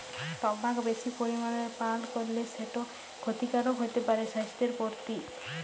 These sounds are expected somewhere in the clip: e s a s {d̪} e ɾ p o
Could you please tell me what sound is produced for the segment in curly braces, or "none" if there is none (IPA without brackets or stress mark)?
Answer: t̪